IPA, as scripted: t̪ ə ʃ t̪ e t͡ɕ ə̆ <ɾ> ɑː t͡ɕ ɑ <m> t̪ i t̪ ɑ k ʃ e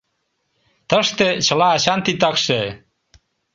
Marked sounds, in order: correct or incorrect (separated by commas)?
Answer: incorrect, incorrect